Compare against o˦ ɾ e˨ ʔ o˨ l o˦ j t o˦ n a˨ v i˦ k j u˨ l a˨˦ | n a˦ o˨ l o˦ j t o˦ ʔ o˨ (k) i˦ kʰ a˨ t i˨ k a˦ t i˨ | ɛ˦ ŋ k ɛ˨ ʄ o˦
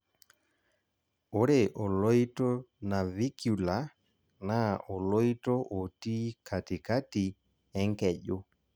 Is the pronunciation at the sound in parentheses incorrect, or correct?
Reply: incorrect